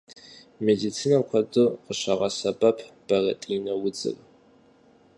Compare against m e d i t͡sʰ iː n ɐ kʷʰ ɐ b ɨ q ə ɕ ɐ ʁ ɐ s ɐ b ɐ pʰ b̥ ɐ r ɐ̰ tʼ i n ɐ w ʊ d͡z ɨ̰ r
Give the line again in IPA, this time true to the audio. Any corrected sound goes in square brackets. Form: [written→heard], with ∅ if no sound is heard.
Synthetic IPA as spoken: m e d i t͡sʰ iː n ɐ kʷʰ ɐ [b→d] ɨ q ə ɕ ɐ ʁ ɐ s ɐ b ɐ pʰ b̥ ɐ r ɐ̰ tʼ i n ɐ w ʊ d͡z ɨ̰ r